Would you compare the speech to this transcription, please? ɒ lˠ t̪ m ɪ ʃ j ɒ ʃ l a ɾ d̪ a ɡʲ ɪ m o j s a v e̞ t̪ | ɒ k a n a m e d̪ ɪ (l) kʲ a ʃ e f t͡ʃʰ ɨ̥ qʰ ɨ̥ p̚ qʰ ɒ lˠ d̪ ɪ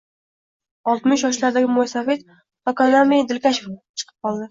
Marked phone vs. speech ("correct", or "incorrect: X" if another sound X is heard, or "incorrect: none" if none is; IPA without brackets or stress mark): correct